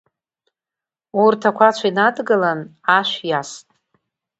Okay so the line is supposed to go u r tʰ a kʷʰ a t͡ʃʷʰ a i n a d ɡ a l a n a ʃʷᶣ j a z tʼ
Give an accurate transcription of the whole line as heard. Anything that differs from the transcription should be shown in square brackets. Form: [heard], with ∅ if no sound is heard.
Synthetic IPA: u r tʰ a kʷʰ a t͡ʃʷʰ a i n a d ɡ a l a n a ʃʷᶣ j a [s] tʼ